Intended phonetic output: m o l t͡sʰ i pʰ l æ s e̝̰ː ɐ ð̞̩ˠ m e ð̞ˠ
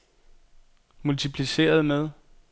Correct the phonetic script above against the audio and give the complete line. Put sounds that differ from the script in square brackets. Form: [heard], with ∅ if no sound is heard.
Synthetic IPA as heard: m [u] l t͡sʰ i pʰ l [i] s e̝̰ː ɐ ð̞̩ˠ m e ð̞ˠ